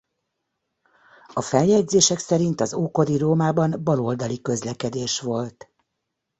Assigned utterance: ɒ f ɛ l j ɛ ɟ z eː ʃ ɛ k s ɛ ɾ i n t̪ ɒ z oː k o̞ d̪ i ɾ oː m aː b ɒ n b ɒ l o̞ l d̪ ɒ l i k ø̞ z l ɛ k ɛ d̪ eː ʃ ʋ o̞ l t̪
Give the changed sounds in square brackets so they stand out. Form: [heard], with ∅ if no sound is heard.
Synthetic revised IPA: ɒ f ɛ l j ɛ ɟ z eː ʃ ɛ k s ɛ ɾ i n t̪ ɒ z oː k o̞ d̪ i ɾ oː m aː b ɒ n b ɒ l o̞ l d̪ ɒ l i k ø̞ z l ɛ k ɛ d̪ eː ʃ ʋ o̞ l t̪